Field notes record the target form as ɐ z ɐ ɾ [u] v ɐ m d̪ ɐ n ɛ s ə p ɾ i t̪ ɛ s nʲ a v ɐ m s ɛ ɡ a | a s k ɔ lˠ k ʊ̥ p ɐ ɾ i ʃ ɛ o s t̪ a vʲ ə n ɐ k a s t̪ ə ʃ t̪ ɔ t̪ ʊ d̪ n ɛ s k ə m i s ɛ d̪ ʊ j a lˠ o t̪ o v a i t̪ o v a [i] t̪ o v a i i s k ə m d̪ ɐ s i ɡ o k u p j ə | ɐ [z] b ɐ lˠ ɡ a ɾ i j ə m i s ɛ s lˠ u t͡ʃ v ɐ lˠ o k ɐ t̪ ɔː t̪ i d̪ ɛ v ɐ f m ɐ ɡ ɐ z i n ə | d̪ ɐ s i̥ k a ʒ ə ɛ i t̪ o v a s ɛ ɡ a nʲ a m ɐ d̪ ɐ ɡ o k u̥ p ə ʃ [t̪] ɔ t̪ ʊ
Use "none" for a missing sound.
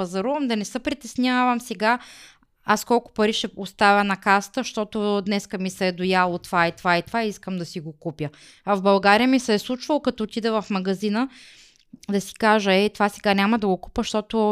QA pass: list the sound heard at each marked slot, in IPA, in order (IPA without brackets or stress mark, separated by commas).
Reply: u, i, v, t̪